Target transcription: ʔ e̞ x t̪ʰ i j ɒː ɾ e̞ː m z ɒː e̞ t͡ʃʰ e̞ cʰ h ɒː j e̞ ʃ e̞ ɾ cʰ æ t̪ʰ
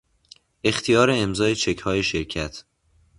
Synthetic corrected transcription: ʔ e̞ x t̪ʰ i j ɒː ɾ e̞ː m z ɒː e̞ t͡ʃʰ e̞ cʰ h ɒː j e̞ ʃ e̞ ɾ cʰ æ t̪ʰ

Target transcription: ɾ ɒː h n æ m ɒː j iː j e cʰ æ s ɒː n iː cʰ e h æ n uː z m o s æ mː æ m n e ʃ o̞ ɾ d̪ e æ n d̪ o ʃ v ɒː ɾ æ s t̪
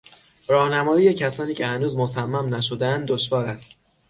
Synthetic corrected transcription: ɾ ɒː h n æ m ɒː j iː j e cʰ æ s ɒː n iː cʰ e h æ n uː z m o s æ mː æ m n æ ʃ o̞ d̪ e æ n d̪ o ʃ v ɒː ɾ æ s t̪

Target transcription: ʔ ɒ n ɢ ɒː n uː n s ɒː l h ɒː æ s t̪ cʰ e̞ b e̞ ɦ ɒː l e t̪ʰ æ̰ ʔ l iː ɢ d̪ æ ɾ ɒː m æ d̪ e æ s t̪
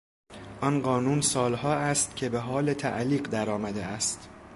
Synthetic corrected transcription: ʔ ɒ n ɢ ɒː n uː n s ɒː l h ɒː æ s t̪ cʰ e̞ b e̞ ɦ ɒː l e t̪ʰ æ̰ ʔ l iː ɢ d̪ æ ɾ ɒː m æ d̪ e æ s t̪

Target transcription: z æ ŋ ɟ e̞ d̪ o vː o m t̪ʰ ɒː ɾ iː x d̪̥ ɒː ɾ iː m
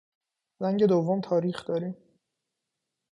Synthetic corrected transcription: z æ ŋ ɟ e̞ d̪ o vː o m t̪ʰ ɒː ɾ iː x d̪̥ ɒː ɾ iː m

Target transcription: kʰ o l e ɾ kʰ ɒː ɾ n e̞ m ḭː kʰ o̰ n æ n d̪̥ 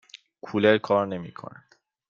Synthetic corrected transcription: kʰ u l e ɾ kʰ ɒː ɾ n e̞ m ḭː kʰ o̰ n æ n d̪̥

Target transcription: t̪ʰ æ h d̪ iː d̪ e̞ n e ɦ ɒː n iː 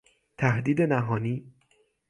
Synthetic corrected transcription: t̪ʰ æ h d̪ iː d̪ e̞ n æ ɦ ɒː n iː

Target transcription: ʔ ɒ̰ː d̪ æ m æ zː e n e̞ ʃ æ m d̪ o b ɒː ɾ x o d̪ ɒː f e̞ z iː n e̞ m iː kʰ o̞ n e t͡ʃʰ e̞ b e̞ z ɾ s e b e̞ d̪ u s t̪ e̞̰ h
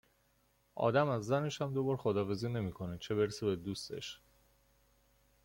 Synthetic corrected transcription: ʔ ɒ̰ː d̪ æ m æ zː æ n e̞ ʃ æ m d̪ o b ɒː ɾ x o d̪ ɒː f e̞ z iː n e̞ m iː kʰ o̞ n e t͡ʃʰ e̞ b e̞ ɾ s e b e̞ d̪ u s t̪ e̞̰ ʃ

